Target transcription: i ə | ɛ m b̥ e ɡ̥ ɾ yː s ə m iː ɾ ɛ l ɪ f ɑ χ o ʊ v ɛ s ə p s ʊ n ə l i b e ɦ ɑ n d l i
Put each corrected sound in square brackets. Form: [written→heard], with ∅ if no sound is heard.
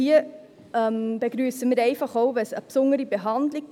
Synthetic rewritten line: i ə | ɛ m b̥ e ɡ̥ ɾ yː s ə m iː ɾ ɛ [l→∅] ɪ f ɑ χ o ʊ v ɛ s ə p s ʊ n ə [l→ɾ] i b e ɦ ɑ n d l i